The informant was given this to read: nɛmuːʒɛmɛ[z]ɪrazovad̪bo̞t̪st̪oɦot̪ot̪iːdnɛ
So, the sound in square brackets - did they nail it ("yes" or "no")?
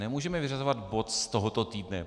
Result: no